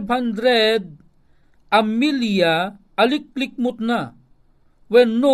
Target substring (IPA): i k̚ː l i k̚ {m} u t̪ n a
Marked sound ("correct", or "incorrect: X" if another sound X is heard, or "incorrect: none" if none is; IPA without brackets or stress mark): correct